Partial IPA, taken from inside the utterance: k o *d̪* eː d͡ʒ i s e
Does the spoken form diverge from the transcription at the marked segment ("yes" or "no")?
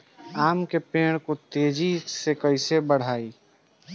yes